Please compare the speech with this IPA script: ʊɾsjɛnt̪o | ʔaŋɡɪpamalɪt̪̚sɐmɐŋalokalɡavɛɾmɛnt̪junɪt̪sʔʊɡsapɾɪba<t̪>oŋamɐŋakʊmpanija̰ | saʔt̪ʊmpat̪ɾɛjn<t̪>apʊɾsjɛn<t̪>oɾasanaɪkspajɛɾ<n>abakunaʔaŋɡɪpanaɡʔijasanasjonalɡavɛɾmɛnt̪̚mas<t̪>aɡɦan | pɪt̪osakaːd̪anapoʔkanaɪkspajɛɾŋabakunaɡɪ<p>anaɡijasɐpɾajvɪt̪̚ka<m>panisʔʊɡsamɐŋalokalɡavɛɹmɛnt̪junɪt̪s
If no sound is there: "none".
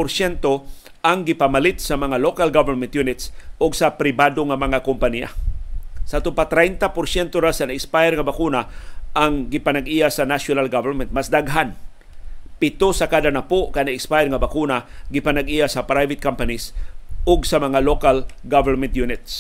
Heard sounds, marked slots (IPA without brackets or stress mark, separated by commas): d̪, t̪, t̪, ŋ, d̪, p, m